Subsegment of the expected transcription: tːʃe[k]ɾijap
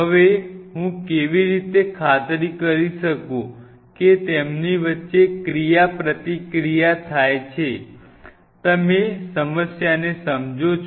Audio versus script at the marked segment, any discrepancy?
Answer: no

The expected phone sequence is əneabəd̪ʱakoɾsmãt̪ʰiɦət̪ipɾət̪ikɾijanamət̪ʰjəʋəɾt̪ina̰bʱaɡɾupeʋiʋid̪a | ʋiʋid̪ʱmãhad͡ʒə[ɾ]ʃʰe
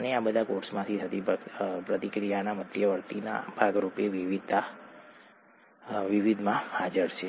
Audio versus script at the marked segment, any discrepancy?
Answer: no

